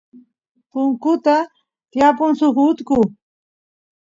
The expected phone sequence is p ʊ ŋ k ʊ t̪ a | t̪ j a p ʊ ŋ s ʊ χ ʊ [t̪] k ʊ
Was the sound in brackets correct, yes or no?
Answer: yes